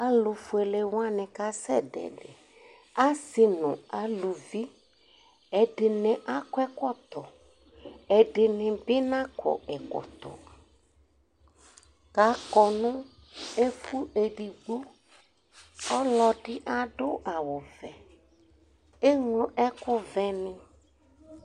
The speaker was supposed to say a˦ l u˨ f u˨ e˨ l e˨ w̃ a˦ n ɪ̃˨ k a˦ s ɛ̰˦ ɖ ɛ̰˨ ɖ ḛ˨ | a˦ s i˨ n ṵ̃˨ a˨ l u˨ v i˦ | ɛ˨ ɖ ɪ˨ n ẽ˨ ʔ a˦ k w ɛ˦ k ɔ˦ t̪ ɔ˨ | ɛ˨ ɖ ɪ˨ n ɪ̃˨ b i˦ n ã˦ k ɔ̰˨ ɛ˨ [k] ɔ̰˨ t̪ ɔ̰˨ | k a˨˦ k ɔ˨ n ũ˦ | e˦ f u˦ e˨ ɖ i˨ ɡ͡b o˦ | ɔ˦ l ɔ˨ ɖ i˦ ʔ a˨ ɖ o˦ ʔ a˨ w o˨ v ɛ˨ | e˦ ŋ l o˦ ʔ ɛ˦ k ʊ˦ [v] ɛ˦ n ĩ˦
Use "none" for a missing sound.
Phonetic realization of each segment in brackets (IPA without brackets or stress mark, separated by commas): k, v